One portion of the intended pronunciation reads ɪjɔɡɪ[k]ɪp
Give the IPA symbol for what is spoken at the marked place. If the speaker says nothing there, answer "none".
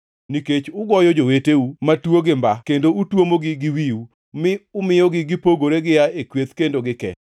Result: ɡ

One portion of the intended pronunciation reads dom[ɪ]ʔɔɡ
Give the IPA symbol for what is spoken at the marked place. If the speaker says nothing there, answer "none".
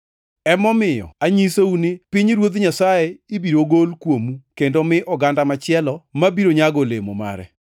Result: ɪ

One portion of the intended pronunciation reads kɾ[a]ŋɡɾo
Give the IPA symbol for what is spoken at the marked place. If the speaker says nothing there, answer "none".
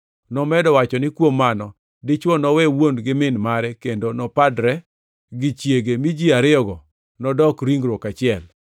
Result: i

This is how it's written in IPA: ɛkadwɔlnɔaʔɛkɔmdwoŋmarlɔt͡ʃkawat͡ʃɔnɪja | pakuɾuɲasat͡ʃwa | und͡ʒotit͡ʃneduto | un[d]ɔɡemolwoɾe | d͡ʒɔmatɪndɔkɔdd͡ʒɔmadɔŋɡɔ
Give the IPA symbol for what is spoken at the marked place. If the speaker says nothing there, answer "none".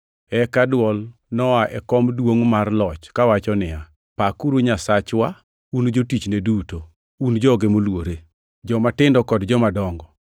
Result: d͡ʒ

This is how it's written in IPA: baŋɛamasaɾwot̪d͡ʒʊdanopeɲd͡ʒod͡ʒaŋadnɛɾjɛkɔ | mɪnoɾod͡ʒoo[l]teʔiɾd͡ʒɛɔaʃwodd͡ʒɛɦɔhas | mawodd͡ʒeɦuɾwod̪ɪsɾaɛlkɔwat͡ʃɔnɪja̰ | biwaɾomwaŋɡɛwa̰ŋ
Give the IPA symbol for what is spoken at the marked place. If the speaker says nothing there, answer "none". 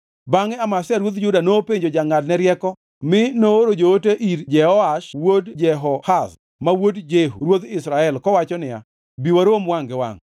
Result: none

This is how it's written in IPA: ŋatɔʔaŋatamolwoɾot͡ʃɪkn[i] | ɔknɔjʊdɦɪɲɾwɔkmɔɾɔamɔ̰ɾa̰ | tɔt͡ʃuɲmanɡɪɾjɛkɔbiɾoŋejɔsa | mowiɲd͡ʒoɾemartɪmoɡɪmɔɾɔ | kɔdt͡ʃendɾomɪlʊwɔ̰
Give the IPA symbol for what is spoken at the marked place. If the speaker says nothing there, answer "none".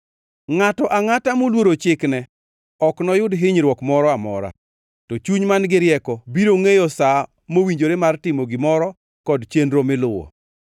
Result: ɛ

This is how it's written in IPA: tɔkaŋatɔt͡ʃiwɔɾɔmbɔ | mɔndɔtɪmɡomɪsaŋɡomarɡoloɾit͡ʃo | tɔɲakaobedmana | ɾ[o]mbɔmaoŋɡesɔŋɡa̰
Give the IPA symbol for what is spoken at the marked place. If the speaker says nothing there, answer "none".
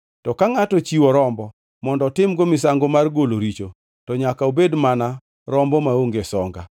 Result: ɔ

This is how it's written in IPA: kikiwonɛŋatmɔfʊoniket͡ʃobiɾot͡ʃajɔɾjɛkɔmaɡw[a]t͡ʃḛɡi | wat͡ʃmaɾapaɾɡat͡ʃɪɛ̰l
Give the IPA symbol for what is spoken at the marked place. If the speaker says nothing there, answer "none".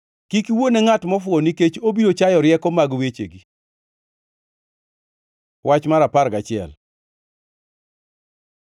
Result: e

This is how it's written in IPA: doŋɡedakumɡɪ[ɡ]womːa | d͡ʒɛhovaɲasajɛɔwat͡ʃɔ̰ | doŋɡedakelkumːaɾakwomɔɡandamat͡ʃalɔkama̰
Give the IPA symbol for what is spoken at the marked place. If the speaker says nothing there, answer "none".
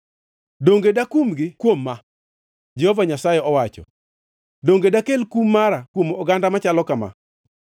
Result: k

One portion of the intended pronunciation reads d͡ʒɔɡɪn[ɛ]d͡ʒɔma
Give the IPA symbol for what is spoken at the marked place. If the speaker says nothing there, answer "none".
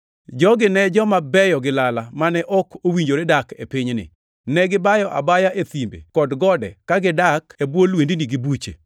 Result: ɛ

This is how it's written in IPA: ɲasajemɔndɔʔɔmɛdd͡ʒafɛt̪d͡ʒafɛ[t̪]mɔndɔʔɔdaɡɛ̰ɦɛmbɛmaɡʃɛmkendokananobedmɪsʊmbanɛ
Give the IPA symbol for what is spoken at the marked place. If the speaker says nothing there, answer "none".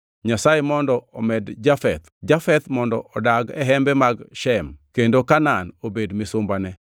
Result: t̪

